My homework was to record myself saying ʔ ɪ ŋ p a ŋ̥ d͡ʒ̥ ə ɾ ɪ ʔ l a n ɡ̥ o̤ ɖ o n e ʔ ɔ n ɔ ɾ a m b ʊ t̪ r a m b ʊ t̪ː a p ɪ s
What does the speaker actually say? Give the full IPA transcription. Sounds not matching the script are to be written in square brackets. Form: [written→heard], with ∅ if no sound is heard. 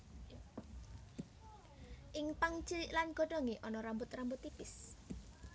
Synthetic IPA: ʔ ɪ ŋ p a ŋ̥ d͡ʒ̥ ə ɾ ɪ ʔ l a n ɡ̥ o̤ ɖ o [n→ŋ] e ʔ ɔ n ɔ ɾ a m b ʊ t̪ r a m b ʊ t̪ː [a→i] p ɪ s